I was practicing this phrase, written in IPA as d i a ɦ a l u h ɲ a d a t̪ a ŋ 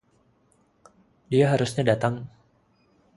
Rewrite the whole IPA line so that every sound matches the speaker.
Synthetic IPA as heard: d i a ɦ a ɾ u s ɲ a d a t̪ a ŋ